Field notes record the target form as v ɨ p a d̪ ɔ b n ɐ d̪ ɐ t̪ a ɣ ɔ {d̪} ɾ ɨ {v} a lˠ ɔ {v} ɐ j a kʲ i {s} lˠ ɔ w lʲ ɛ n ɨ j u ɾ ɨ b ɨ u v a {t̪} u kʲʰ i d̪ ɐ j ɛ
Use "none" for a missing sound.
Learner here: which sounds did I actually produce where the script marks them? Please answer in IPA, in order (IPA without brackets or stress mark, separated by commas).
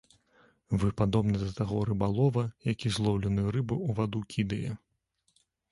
none, b, v, z, d̪